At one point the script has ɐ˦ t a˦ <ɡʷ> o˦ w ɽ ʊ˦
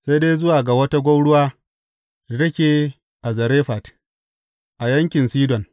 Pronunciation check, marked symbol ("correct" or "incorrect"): correct